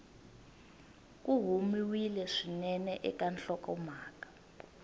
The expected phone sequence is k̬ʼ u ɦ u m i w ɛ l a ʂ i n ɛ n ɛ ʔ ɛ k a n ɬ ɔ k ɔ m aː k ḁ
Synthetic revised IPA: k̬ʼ u ɦ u m i w i l ɛ ʂ i n ɛ n ɛ ʔ ɛ k a n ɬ ɔ k ɔ m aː k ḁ